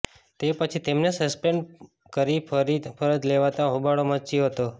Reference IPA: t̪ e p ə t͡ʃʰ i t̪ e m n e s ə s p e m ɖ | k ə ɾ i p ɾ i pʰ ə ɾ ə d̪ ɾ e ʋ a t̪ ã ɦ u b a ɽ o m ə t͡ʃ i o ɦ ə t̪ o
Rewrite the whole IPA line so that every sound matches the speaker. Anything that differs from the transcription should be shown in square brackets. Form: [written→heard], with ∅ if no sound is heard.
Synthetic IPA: t̪ e p ə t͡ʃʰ i t̪ e m n e s ə s p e [m→ɳ] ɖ | k ə ɾ i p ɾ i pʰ ə ɾ ə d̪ [ɾ→l] e ʋ a t̪ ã ɦ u b a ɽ o m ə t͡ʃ i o ɦ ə t̪ o